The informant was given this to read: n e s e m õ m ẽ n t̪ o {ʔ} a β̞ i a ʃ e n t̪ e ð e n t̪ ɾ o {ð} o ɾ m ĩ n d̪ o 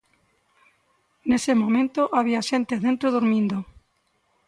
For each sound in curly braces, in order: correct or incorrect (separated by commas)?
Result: correct, correct